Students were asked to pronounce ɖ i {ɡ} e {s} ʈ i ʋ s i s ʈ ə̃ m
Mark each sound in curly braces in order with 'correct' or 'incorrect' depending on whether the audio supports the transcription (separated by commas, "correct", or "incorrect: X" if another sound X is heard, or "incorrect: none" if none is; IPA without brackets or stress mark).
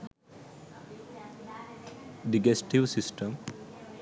correct, correct